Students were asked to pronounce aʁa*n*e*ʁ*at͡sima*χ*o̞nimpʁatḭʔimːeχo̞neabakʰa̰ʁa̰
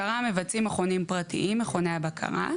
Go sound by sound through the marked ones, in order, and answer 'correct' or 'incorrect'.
incorrect, incorrect, correct

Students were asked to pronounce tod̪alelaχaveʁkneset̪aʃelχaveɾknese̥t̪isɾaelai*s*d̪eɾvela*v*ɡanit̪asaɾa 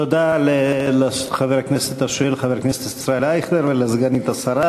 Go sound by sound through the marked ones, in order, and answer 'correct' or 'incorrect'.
incorrect, incorrect

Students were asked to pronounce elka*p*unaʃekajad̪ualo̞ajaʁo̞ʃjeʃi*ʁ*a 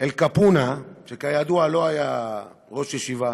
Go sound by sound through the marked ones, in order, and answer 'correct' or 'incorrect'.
correct, incorrect

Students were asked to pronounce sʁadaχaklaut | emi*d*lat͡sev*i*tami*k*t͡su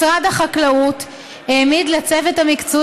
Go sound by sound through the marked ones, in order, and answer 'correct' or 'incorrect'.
correct, incorrect, correct

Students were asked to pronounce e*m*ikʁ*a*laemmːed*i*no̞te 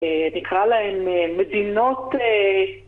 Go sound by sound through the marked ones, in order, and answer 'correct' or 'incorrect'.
incorrect, correct, correct

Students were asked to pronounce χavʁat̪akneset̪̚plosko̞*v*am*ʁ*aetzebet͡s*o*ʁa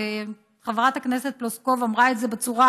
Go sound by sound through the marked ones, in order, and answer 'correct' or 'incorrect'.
correct, correct, incorrect

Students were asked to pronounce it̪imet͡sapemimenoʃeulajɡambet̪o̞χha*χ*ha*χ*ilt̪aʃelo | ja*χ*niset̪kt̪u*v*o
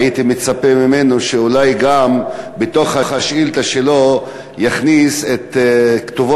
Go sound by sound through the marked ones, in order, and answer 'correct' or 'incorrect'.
correct, incorrect, correct, correct

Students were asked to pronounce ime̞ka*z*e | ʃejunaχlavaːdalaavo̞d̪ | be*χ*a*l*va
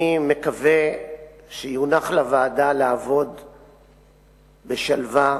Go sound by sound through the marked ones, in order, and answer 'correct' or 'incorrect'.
incorrect, incorrect, correct

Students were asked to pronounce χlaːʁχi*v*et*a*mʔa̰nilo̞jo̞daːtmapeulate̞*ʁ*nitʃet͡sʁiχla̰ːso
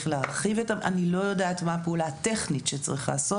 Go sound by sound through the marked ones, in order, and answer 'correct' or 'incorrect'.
correct, correct, incorrect

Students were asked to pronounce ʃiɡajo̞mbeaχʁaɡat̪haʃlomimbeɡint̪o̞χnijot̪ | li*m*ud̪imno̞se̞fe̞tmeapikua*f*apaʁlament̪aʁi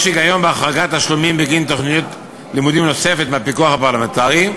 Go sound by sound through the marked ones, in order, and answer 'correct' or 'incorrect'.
correct, incorrect

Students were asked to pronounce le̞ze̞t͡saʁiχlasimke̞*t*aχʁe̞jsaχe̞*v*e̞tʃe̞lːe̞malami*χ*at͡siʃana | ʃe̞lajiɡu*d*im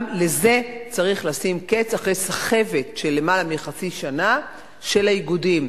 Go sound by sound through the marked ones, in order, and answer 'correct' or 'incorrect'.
incorrect, correct, correct, correct

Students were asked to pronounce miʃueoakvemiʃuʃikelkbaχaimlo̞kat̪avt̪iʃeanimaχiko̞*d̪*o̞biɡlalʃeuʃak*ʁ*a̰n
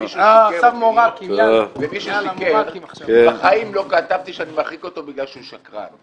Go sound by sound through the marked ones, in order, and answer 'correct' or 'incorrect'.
incorrect, correct

